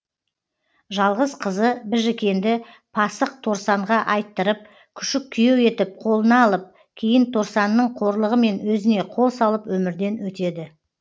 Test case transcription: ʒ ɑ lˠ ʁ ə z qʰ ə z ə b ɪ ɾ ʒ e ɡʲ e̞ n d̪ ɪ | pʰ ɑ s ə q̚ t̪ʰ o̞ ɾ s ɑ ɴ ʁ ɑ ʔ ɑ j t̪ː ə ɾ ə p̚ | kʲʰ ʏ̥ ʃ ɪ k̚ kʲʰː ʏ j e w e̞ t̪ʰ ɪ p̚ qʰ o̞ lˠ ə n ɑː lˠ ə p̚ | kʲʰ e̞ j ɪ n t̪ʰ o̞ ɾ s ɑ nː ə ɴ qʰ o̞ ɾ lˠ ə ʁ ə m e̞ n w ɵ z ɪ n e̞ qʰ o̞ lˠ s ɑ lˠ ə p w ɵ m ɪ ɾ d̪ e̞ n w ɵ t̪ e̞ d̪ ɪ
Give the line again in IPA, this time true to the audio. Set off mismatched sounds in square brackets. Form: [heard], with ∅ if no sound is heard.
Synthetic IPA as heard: ʒ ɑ lˠ ʁ ə z qʰ ə z ə b ɪ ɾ ʒ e [kʲ] e̞ n d̪ ɪ | pʰ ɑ s ə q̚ t̪ʰ o̞ ɾ s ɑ ɴ ʁ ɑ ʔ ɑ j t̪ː ə ɾ ə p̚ | kʲʰ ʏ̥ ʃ ɪ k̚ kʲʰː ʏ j e w e̞ [t̪] ɪ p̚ qʰ o̞ lˠ ə n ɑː lˠ ə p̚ | kʲʰ e̞ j ɪ n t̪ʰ o̞ ɾ s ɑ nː ə ɴ qʰ o̞ ɾ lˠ ə ʁ ə m e̞ n w ɵ z ɪ n e̞ qʰ o̞ lˠ s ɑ lˠ ə p w ɵ m ɪ ɾ d̪ e̞ n w ɵ t̪ e̞ d̪ ɪ